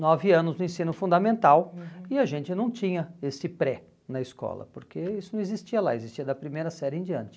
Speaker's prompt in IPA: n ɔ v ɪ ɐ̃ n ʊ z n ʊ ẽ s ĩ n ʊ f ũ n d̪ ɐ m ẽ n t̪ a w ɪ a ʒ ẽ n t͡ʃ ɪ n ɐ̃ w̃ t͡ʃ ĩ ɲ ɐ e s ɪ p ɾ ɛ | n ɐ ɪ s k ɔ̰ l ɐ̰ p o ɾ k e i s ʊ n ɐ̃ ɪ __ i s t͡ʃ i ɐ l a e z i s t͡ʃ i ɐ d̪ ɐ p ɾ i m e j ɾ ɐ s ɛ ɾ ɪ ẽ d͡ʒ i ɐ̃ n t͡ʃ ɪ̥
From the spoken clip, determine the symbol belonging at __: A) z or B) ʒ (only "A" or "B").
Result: A